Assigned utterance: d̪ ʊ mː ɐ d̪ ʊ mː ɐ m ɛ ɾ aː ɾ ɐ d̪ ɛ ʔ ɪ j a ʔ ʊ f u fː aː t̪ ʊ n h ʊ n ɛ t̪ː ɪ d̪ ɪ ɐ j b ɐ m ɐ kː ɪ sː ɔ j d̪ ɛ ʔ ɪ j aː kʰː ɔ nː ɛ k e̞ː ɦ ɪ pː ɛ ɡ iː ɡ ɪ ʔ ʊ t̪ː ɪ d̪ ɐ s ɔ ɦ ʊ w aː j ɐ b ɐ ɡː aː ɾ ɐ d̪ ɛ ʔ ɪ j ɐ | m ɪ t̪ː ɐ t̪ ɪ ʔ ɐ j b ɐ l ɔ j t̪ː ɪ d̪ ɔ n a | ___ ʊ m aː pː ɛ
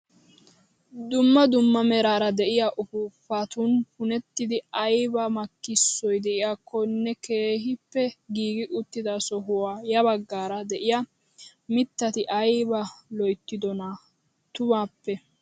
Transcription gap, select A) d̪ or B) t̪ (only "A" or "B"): B